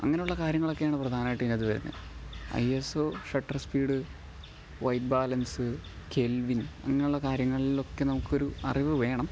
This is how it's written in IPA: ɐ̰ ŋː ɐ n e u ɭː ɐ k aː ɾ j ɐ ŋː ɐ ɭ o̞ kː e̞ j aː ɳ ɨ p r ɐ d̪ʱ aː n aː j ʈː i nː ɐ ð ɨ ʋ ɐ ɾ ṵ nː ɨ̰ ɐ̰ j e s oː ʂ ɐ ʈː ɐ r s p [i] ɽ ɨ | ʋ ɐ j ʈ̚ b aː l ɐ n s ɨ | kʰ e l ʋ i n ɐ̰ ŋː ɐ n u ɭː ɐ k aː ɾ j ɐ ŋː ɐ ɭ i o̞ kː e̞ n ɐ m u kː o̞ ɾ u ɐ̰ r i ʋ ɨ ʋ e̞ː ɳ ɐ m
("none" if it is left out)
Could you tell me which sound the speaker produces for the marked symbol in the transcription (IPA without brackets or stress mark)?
iː